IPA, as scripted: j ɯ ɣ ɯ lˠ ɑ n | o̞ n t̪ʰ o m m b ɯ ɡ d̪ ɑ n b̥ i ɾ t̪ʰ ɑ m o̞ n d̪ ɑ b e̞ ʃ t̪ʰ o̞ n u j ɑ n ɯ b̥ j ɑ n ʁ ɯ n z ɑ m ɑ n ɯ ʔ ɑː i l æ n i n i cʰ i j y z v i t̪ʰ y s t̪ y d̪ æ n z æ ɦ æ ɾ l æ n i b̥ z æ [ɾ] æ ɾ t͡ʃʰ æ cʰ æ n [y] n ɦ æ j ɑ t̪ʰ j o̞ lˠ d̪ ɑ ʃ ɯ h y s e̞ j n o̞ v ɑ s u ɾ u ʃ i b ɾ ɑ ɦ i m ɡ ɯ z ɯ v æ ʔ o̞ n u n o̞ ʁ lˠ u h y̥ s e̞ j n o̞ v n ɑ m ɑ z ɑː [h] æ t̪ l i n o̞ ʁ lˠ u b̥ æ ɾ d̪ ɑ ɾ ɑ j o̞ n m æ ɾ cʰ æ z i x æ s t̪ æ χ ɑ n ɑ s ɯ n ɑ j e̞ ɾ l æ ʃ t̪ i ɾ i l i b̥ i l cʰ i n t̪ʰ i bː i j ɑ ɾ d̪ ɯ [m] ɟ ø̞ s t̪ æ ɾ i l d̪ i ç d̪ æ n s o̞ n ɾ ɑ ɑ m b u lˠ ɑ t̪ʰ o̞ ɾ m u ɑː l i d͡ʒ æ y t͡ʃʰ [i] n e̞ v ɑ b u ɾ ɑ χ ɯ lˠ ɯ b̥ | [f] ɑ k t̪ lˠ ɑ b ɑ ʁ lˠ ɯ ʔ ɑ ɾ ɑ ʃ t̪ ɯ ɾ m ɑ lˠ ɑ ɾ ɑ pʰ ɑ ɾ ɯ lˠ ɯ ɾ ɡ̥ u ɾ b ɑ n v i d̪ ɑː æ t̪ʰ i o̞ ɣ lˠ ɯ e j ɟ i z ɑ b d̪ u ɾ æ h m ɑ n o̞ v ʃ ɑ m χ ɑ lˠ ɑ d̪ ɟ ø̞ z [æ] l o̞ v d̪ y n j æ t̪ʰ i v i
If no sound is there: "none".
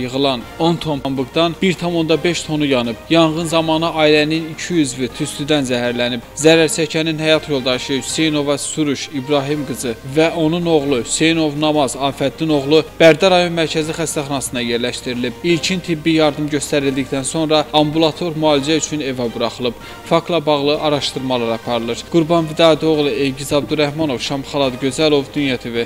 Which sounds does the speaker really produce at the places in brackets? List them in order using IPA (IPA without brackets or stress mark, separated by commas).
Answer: ɾ, i, f, m, y, f, æ